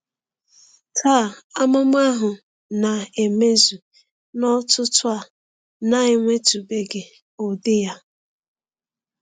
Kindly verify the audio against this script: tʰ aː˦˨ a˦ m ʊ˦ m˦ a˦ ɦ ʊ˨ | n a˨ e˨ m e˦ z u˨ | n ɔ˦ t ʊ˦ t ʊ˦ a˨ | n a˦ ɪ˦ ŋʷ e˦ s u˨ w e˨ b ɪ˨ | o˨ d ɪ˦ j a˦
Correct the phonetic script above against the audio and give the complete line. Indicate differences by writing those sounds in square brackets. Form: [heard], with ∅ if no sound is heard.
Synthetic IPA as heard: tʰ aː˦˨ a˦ m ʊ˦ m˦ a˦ ɦ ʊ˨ | n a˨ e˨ m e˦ z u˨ | n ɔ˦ t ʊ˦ t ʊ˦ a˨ | n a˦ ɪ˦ ŋʷ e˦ [t] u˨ [b] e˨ [ɡ] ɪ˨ | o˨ d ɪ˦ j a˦